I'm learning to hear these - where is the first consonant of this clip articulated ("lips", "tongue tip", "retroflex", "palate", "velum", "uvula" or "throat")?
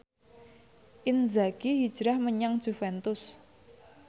throat